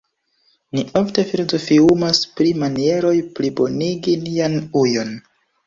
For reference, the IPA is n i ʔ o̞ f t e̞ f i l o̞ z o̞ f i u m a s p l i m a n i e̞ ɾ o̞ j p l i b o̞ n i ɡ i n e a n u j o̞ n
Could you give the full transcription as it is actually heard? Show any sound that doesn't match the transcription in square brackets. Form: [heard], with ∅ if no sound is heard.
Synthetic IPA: n i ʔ o̞ f t e̞ f i l o̞ z o̞ f i u m a s p [ɾ] i m a n i e̞ ɾ o̞ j p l i b o̞ n i ɡ i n [i] a n u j o̞ n